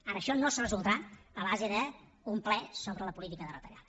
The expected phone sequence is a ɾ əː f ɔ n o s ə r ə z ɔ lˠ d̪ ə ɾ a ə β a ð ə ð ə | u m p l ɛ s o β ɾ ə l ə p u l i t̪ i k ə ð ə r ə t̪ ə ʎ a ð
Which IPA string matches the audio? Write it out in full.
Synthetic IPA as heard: a ɾ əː ʃ ɔ n o s ə r ə z u lˠ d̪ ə ɾ a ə β a z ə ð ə | u m p l ɛ s o β ɾ ə l ə p u l i t̪ i k ə ð ə r ə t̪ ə ʎ a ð

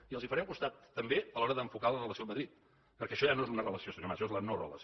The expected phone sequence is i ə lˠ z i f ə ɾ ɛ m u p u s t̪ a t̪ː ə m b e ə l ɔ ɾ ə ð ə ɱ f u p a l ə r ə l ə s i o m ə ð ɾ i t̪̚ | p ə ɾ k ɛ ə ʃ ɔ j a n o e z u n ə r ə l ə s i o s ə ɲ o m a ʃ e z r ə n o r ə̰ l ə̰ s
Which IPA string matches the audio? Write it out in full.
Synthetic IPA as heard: i ə lˠ z i f ə ɾ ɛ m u k u s t̪ a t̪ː ə m b e ə l ɔ ɾ ə ð ə ɱ f u k a l ə r ə l ə s i o m ə ð ɾ i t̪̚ | p ə ɾ k ɛ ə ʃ ɔ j a n o e z u n ə r ə l ə s i o s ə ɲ o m a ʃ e z l ə n o r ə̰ l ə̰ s

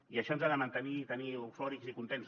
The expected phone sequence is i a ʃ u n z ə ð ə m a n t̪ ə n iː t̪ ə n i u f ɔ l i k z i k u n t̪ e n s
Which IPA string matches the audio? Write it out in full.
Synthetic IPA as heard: i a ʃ ɔ n z a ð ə m a n t̪ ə n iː t̪ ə n i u f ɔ ɾ i k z i k u n t̪ e n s

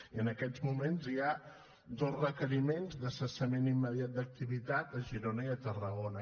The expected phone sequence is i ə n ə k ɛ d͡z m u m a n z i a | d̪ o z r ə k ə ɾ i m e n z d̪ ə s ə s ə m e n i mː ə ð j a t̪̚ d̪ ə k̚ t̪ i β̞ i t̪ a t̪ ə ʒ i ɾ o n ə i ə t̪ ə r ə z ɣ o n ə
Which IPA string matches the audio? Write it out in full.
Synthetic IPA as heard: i ə n ə k ɛ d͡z m u m e n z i a | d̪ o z r ə k ə ɾ i m e n z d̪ ə s ə s ə m e n i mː ə ð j a t̪̚ d̪ ə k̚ t̪ i β̞ i t̪ a t̪ ə ʒ i ɾ o n ə i ə t̪ ə r ə ɣ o n ə

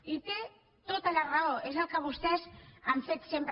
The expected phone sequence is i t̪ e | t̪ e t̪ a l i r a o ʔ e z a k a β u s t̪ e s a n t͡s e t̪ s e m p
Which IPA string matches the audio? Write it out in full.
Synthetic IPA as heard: i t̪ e | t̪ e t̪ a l a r a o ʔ e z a k a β u s t̪ e s a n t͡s e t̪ s e m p

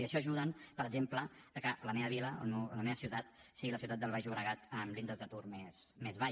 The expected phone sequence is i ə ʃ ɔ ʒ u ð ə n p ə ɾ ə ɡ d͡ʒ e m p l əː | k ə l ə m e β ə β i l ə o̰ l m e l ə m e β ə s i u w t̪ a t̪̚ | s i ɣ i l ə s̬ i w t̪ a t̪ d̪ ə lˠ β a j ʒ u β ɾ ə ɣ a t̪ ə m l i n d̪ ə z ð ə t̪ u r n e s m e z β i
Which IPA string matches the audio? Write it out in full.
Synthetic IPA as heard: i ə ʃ ɔ ʒ u ð ə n p ə ɾ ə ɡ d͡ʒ e m p l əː | k ə l ə m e β ə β i l ə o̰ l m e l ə m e β ə s i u w t̪ a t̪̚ | s i ɣ i l ə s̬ i w t̪ a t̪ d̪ ə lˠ β a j ʒ u β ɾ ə ɣ a t̪ ə m l i n d̪ ə z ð ə t̪ u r m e s m e z β a

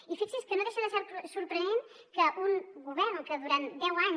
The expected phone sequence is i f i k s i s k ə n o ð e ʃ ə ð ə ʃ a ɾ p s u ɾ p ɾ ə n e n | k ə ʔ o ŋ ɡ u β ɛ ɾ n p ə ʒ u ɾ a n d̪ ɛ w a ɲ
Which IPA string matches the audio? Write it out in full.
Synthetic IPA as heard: i f i k s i s k ə n o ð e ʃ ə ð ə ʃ a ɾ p s u ɾ p ɾ ə n e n | k ə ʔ u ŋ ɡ u β ɛ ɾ n k ə ð u ɾ a n d̪ ɛ w a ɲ

